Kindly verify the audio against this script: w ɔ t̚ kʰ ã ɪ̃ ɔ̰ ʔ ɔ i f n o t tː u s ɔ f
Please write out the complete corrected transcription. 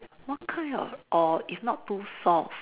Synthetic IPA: w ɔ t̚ kʰ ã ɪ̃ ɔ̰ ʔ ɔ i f n ɔ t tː u s ɔ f